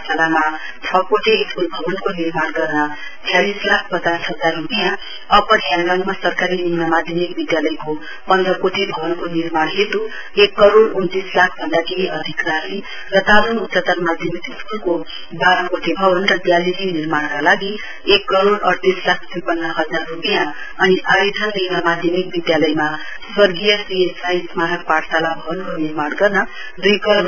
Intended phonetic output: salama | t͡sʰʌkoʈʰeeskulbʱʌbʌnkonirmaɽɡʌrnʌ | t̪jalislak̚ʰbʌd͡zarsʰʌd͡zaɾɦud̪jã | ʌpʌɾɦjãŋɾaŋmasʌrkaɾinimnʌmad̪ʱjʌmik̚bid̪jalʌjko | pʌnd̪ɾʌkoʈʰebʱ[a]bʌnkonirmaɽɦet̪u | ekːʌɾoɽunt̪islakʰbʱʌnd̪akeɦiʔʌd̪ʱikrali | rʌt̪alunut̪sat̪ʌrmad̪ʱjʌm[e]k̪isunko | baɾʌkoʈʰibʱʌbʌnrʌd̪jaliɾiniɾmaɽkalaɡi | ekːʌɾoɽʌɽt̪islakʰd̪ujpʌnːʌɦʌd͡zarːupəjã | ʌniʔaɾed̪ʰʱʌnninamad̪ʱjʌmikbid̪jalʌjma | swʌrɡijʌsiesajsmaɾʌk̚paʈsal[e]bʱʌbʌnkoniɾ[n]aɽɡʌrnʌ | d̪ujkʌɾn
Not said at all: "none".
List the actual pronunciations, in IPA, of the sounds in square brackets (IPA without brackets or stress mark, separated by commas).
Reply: ʌ, i, a, m